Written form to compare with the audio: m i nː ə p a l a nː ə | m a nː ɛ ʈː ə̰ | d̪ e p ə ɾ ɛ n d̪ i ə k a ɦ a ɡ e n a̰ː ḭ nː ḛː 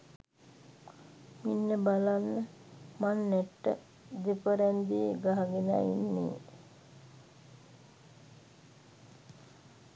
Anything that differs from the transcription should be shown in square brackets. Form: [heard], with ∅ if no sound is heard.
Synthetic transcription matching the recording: m i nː ə [b] a l a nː ə | m a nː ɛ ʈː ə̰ | d̪ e p ə ɾ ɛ n d̪ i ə [ɡ] a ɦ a ɡ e n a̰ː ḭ nː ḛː